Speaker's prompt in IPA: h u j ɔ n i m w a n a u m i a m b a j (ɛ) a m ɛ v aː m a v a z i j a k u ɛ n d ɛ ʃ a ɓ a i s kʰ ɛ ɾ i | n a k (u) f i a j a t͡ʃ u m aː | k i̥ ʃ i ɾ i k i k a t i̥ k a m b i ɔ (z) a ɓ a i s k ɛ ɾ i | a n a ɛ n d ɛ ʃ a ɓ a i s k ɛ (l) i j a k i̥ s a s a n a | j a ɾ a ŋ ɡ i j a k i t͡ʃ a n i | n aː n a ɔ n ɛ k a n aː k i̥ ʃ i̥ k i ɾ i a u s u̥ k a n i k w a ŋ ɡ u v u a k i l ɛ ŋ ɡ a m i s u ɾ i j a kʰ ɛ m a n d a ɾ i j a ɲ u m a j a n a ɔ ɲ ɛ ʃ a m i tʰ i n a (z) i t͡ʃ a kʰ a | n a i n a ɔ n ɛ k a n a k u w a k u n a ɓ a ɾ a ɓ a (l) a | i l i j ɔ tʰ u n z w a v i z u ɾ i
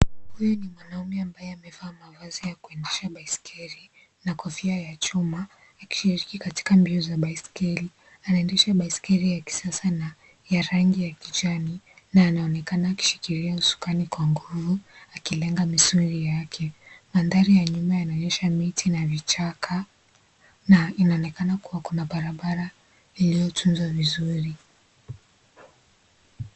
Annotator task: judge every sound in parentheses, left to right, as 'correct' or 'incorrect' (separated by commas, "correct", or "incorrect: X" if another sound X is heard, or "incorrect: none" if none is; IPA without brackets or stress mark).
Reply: correct, incorrect: ɔ, correct, incorrect: ɾ, incorrect: v, incorrect: ɾ